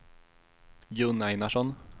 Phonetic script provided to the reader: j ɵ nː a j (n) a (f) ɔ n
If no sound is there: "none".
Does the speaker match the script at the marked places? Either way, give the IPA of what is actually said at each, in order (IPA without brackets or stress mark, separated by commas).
n, ʂ